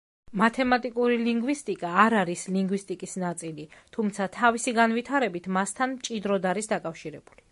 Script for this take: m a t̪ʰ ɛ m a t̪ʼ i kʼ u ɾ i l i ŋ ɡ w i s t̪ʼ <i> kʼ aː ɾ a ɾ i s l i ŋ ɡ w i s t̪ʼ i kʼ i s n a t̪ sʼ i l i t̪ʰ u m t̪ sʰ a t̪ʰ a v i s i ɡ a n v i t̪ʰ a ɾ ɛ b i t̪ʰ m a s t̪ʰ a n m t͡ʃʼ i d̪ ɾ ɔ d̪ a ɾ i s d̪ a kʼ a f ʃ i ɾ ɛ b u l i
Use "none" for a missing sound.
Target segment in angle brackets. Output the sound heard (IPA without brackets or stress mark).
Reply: i